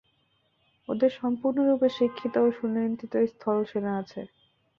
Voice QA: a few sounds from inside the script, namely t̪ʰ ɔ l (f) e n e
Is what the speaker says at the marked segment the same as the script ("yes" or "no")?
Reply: no